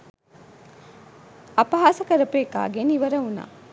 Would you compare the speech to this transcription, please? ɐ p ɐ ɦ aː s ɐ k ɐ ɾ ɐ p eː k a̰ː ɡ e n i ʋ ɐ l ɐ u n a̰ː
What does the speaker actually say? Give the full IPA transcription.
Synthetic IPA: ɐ p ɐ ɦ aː s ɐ k ɐ ɾ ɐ p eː k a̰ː ɡ e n i ʋ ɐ ɾ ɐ u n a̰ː